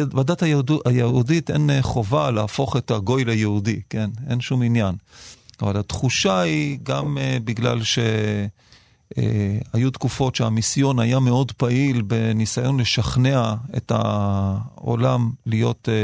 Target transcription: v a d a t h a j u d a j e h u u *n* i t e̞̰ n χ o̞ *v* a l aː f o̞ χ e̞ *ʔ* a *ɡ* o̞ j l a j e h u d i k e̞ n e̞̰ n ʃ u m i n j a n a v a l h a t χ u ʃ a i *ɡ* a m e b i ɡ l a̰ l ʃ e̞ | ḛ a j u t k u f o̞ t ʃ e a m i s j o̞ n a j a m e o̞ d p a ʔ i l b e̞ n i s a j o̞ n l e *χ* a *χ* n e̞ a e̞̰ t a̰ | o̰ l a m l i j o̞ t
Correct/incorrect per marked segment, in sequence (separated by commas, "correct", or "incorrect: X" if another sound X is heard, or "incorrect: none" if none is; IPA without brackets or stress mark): incorrect: d, correct, incorrect: t, correct, correct, incorrect: ʃ, correct